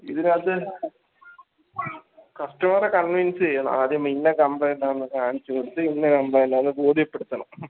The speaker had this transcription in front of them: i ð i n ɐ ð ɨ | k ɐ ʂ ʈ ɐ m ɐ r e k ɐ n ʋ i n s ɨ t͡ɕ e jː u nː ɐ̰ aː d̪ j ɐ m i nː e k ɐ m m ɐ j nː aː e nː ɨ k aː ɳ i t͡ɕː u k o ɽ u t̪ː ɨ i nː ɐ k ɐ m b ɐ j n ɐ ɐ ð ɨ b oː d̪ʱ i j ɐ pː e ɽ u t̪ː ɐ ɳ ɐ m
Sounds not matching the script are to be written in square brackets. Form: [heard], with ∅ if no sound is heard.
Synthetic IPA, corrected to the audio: i ð i n ɐ ð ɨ | k ɐ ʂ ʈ ɐ m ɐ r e k ɐ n ʋ i n s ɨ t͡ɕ e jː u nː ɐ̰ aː d̪ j ɐ m i nː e k ɐ m [b] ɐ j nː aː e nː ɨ k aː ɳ i t͡ɕː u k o ɽ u t̪ː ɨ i nː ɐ k ɐ m b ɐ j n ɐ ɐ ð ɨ b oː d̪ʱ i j ɐ pː e ɽ u t̪ː ɐ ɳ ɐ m